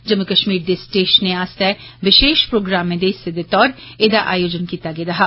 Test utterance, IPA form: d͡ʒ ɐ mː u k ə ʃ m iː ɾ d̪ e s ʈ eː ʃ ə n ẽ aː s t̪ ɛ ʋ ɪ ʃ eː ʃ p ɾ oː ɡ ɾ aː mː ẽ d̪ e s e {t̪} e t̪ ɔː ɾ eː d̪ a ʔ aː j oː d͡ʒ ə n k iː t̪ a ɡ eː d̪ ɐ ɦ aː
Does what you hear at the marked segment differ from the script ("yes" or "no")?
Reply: yes